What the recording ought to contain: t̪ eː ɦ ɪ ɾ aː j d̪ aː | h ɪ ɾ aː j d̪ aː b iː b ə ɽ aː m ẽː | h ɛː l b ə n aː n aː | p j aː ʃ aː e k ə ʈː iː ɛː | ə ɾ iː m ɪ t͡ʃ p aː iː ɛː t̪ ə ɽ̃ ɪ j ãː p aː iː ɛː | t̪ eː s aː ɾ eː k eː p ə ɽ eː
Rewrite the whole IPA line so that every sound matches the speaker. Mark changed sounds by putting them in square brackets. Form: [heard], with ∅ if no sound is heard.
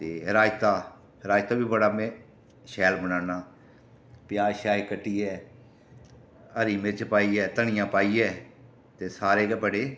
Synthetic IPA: t̪ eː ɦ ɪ ɾ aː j [t̪] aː | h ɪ ɾ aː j [t̪] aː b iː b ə ɽ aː m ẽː | [ʃ] ɛː l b ə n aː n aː | p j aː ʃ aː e k ə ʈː iː ɛː | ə ɾ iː m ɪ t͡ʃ p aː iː ɛː t̪ ə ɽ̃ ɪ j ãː p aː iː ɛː | t̪ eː s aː ɾ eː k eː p ə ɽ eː